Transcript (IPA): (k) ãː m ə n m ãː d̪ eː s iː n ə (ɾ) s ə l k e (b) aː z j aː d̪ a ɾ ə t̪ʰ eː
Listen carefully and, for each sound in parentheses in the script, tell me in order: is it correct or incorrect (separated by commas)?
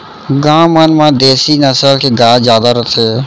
incorrect, incorrect, incorrect